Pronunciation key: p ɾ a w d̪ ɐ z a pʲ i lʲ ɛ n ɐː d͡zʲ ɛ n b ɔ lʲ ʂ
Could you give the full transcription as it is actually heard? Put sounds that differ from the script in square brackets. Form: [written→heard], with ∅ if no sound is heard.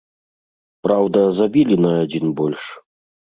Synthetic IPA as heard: p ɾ a w d̪ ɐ z a [pʲ→bʲ] i lʲ [ɛ→i] n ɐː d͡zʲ [ɛ→i] n b ɔ lʲ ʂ